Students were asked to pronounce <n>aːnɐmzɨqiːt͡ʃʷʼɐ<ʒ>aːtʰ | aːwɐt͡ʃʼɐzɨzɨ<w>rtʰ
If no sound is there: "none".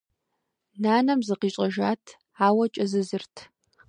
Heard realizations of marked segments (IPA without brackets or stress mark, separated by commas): n, ʒ, none